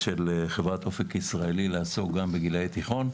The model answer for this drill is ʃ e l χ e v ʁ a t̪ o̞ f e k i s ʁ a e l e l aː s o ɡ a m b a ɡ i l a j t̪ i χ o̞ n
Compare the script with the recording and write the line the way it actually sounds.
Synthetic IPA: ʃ e l χ e v ʁ a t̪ o̞ f e k i s ʁ a e l i l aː s o ɡ a m b e ɡ i l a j t̪ i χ o̞ n